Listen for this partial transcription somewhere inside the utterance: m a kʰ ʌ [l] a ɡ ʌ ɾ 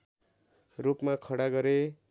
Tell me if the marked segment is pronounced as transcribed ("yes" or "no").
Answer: no